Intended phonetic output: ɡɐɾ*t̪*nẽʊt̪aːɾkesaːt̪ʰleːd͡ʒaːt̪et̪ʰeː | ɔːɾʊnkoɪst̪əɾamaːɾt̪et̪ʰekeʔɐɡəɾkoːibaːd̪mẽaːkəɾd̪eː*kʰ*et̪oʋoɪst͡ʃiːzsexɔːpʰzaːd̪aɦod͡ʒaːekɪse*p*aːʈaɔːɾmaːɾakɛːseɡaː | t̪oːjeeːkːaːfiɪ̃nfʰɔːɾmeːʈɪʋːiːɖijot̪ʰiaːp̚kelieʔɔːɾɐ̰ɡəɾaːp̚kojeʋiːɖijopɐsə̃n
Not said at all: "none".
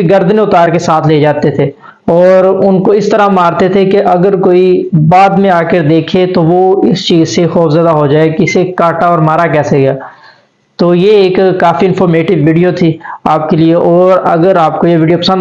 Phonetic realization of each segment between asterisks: d̪, kʰ, k

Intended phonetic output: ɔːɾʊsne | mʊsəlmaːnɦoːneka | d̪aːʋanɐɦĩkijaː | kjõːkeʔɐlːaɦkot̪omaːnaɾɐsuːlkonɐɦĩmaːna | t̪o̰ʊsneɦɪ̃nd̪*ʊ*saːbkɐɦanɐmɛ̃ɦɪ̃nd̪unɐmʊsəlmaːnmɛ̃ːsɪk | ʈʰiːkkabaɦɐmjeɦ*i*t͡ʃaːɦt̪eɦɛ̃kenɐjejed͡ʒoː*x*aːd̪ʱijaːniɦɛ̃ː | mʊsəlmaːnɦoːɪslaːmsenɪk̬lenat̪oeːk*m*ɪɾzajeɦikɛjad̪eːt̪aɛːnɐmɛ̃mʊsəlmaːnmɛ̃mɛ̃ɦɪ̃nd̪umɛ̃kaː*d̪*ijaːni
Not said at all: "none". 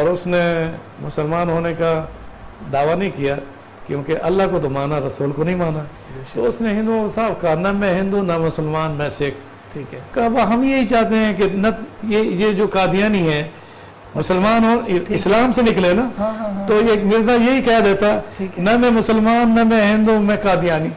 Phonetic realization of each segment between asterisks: u, i, k, m, d̪

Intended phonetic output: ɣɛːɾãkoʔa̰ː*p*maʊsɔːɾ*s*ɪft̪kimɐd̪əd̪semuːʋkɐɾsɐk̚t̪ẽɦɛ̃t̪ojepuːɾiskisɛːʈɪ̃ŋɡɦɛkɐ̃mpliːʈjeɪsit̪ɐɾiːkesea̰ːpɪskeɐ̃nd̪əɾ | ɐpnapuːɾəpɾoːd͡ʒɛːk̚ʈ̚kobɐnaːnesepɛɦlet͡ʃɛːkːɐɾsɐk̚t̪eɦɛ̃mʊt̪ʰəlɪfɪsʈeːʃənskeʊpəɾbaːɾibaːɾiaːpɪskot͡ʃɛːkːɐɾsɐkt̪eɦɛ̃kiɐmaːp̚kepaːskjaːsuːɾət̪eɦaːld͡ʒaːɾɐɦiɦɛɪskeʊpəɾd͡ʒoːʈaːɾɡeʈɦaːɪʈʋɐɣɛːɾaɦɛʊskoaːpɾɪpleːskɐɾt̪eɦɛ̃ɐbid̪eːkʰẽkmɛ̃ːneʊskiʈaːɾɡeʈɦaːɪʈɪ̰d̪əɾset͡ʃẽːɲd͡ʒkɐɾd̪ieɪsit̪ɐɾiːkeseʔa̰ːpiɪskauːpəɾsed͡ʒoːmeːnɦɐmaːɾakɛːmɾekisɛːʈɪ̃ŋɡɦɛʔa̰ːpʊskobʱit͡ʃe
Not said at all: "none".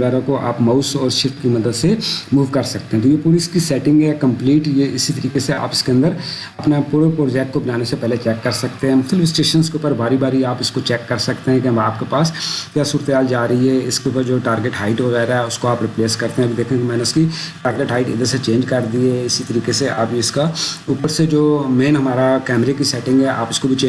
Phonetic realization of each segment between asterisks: p, ʃ

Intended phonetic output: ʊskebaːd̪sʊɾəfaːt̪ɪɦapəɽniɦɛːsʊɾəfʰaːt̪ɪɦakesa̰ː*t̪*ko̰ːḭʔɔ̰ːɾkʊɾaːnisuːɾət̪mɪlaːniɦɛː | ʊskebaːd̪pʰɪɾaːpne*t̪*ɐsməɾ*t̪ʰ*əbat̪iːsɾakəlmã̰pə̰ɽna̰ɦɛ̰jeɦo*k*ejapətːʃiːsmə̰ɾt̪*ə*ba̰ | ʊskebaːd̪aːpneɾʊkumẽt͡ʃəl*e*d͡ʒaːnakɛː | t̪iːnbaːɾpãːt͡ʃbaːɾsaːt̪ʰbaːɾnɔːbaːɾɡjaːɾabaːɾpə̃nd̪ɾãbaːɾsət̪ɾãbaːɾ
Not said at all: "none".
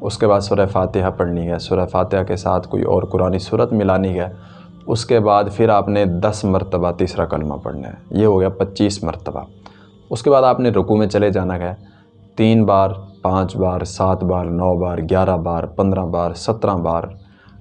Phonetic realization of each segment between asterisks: t̪ʰ, d̪, t̪, ɡ, ə, e

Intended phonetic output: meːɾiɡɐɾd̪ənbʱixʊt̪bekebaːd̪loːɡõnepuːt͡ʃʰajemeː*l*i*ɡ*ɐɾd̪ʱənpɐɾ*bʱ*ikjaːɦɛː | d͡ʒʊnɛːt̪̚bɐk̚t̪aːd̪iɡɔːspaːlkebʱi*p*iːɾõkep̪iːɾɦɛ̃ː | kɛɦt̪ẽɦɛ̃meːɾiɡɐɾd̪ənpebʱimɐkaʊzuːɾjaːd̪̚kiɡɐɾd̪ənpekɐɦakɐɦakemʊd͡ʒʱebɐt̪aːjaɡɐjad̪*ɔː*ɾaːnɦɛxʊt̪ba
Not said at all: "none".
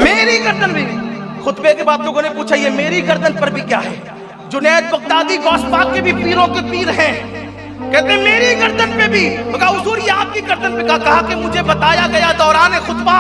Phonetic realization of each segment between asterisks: ɾ, ɡ, bʱ, p, ɔː

